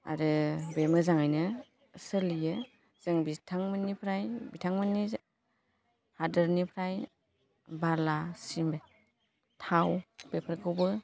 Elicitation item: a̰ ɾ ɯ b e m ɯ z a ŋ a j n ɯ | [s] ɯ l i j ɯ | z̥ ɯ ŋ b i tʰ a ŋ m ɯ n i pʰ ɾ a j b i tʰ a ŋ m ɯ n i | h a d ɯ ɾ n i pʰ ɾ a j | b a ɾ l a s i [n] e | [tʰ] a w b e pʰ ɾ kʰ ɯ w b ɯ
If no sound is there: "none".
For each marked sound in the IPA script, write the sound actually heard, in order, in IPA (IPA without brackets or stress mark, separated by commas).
s, m, tʰ